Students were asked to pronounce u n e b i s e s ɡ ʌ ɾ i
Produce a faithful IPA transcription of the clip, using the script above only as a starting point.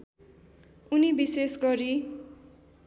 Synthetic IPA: u n i b i s e s ɡ ʌ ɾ i